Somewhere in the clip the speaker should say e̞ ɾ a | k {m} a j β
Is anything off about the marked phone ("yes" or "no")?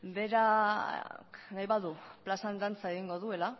yes